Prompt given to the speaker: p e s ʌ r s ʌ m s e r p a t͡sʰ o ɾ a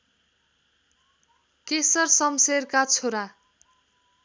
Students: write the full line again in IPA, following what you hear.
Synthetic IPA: k e s ʌ r s ʌ m s e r k a t͡sʰ o ɾ a